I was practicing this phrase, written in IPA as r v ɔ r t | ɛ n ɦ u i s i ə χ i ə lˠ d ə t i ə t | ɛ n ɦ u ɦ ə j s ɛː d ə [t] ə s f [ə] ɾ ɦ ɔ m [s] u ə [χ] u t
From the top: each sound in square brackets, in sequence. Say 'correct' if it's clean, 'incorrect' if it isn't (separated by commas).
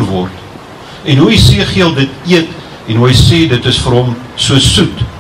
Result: correct, correct, correct, incorrect